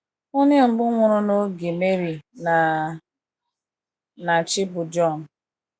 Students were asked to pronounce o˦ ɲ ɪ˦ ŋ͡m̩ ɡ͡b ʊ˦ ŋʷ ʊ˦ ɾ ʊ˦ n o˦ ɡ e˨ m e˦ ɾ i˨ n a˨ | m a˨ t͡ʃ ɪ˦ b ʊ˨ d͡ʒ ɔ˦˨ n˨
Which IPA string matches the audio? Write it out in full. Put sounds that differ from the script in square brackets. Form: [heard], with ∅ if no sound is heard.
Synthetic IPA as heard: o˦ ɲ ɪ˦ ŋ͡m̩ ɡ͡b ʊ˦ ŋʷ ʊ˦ ɾ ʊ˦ n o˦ ɡ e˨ m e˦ ɾ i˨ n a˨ | [n] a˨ t͡ʃ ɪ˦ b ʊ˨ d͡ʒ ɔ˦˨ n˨